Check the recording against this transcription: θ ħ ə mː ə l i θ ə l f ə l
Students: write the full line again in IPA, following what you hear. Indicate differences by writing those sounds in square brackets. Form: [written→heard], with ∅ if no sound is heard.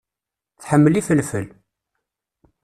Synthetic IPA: θ ħ ə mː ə l i [θ→f] ə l f ə l